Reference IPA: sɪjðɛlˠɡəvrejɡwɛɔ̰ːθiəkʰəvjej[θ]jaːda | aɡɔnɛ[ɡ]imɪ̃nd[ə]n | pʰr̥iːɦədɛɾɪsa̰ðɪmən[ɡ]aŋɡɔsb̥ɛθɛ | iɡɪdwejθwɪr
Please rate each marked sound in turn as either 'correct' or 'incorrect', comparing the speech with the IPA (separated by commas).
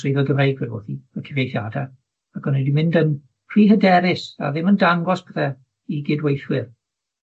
correct, incorrect, correct, incorrect